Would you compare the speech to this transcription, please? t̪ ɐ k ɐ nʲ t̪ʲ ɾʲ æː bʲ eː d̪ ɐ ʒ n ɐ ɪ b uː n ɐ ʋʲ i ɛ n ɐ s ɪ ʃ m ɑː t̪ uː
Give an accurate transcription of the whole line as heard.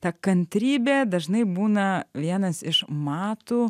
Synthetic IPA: t̪ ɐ k ɐ nʲ t̪ʲ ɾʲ iː bʲ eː d̪ ɐ ʒ n ɐ ɪ b uː n ɐ ʋʲ i ɛ n ɐ s ɪ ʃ m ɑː t̪ uː